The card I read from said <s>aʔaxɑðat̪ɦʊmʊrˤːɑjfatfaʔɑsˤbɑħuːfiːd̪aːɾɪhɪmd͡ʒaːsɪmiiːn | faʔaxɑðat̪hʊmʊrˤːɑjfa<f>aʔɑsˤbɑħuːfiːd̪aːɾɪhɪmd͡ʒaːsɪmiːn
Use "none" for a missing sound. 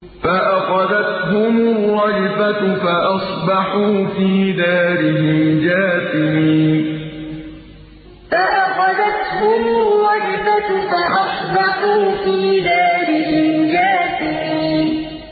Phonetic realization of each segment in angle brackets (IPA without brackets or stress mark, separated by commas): f, f